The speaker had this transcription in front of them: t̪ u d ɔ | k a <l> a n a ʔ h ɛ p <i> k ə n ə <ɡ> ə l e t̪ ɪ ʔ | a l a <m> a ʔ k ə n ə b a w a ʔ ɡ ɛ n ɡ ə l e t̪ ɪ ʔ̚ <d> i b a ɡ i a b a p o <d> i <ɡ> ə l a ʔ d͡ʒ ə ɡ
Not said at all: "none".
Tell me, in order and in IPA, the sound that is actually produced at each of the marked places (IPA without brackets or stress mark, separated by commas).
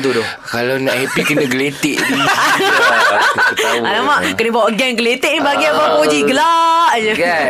l, i, ɡ, m, n, d͡ʒ, ɡ